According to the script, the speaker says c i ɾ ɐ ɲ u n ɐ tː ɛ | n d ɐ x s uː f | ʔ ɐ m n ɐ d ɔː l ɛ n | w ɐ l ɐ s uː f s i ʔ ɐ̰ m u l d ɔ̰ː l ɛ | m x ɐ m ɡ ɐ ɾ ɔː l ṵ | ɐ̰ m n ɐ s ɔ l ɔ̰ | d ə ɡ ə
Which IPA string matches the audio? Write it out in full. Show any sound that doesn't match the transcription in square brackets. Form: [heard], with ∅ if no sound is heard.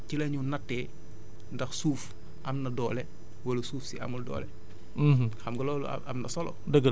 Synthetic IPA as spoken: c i [l] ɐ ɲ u n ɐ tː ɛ | n d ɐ x s uː f | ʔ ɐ m n ɐ d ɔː l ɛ [∅] | w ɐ l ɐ s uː f s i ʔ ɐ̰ m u l d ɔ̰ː l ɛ | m x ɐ m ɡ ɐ [l] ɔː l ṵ | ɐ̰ m n ɐ s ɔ l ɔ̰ | d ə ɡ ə